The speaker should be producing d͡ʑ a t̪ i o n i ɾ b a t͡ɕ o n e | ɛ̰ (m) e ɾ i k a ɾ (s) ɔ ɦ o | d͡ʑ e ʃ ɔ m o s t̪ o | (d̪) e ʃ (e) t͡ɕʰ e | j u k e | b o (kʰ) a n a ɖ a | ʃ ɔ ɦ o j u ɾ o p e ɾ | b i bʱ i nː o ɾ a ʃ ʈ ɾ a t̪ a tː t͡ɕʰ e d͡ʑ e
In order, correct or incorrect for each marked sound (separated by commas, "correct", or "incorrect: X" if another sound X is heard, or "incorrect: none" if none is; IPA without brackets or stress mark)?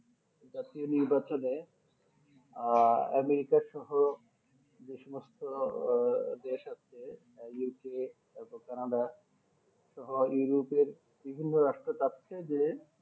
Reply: correct, incorrect: ʃ, correct, incorrect: a, incorrect: k